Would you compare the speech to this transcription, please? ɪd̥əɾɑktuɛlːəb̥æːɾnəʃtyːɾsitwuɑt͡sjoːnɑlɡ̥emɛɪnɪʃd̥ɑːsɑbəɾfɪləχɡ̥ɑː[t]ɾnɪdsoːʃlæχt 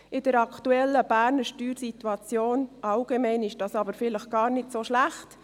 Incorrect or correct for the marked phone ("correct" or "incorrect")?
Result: incorrect